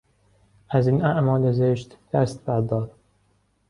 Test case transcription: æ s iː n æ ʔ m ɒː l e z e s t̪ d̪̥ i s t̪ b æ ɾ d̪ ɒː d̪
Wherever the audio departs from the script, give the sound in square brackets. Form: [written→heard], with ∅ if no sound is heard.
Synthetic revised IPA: æ [s→z] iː n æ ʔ m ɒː l e z e [s→ʃ] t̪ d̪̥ [i→æ] s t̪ b æ ɾ d̪ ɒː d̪